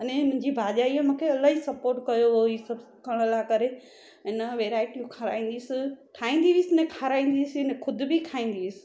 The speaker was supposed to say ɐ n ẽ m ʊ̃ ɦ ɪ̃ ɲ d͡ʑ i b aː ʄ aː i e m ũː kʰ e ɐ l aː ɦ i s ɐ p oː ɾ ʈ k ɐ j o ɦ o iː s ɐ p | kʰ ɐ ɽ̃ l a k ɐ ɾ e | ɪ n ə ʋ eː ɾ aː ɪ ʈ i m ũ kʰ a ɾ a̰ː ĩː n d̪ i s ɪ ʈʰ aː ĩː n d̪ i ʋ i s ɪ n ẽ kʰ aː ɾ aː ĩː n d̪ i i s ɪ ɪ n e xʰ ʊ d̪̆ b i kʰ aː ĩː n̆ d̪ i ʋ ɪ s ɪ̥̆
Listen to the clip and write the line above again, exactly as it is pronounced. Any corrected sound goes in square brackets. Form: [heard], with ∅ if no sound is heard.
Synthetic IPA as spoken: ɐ n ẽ m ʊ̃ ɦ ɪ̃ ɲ d͡ʑ i b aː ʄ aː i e m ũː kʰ e ɐ l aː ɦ i s ɐ p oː ɾ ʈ k ɐ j o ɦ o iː s ɐ [b] | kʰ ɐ ɽ̃ l a k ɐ ɾ e | ɪ n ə ʋ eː ɾ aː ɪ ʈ i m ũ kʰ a ɾ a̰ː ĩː n d̪ i s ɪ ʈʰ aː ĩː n d̪ i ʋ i s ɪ n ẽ kʰ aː ɾ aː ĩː n d̪ i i s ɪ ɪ n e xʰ ʊ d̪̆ b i kʰ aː ĩː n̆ d̪ i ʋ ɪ s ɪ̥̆